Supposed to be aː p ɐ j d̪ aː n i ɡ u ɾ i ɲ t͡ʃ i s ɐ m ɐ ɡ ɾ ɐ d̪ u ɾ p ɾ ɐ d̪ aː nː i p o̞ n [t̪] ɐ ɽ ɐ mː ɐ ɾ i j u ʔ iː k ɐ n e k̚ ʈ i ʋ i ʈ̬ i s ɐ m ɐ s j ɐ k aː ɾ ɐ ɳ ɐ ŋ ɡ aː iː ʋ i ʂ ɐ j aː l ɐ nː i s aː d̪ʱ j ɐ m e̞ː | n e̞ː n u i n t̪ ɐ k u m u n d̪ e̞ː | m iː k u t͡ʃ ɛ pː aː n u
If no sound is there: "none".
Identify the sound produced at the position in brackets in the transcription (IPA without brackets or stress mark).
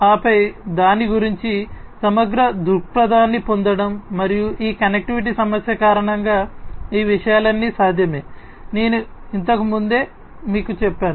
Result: d̪